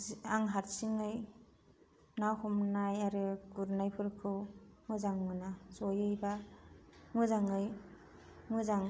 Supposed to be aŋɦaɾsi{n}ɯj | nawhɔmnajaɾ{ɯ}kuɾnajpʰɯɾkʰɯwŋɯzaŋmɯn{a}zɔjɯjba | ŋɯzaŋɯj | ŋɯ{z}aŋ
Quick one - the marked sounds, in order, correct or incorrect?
incorrect, correct, correct, correct

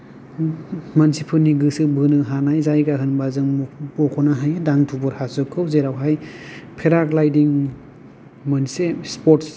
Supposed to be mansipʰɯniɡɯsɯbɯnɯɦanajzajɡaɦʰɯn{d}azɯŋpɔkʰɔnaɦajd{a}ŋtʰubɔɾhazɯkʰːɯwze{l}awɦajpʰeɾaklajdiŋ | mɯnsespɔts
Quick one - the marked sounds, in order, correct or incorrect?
incorrect, correct, incorrect

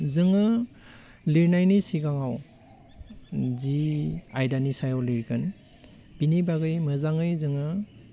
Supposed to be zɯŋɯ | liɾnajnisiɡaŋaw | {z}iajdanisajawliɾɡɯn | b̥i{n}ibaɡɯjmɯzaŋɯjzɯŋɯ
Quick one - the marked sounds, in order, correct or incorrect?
correct, correct

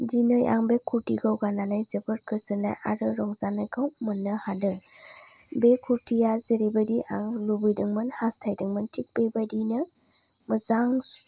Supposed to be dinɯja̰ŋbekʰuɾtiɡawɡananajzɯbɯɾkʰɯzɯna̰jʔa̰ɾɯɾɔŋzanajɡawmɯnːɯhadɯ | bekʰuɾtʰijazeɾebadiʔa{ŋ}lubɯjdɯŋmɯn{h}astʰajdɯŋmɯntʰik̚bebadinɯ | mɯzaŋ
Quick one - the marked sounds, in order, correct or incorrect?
correct, correct

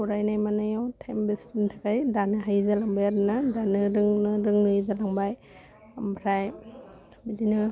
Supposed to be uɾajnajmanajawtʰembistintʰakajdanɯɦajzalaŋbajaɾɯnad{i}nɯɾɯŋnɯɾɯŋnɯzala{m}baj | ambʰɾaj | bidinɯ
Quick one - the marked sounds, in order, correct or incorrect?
incorrect, incorrect

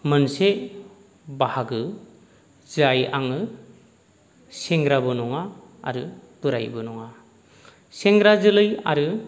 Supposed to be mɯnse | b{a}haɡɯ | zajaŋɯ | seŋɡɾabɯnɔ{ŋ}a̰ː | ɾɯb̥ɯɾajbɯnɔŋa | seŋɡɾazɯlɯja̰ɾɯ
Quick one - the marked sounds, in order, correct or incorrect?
correct, correct

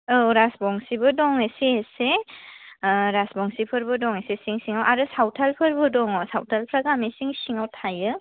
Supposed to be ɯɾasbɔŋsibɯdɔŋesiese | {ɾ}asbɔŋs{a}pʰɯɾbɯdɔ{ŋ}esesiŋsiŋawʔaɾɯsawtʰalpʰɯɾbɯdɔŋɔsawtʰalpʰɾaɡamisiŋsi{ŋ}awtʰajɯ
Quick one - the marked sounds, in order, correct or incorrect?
correct, incorrect, correct, correct

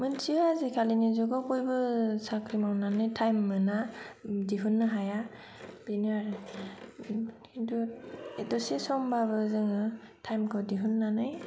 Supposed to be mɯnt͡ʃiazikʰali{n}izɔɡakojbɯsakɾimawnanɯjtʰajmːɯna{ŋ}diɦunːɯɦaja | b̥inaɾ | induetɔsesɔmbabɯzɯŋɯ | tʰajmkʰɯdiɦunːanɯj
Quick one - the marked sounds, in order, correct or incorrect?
correct, incorrect

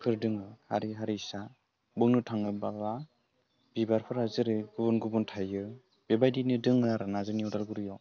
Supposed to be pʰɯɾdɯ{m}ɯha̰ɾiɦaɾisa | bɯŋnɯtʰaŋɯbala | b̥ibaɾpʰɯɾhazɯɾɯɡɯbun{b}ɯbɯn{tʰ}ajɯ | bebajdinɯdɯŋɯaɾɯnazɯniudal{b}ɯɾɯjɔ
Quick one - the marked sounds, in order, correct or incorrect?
incorrect, incorrect, correct, incorrect

